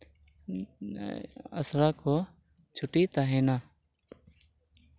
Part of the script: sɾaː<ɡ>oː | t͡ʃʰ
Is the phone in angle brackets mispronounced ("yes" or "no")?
yes